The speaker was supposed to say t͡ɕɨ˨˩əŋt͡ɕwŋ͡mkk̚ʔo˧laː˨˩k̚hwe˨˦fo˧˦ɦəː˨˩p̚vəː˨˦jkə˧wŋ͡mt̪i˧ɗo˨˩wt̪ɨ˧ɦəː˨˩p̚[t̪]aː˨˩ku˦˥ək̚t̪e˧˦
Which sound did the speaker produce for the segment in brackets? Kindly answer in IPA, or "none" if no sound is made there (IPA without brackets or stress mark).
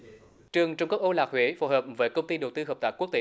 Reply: t̪